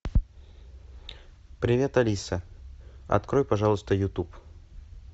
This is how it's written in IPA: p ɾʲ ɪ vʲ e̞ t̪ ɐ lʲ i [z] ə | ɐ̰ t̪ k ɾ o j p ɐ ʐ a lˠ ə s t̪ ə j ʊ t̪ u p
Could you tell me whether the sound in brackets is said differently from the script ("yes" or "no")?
yes